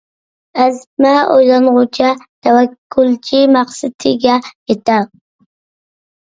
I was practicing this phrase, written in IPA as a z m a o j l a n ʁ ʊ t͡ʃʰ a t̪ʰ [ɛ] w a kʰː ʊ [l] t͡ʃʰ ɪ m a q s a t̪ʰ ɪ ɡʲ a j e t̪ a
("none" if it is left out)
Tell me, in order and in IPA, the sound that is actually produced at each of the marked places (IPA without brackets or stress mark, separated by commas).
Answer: a, l